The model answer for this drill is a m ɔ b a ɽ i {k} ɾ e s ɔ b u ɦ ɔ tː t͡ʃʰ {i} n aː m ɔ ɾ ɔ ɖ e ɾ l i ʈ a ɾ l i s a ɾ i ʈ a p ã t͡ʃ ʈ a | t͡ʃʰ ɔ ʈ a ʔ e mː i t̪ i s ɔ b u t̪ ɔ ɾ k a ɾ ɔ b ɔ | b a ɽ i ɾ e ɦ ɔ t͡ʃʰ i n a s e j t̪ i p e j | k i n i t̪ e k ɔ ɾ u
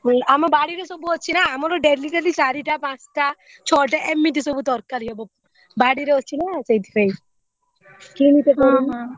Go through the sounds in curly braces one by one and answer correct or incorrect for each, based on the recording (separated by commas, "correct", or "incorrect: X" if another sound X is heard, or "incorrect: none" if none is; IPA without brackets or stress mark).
incorrect: none, correct